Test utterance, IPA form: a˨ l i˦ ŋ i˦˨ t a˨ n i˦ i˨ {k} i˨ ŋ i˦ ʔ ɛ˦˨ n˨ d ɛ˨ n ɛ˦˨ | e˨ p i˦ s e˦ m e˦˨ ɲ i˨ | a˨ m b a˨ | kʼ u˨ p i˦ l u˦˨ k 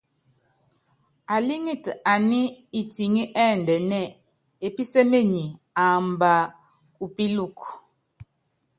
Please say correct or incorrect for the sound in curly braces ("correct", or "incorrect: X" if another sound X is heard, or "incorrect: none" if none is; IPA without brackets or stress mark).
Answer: incorrect: t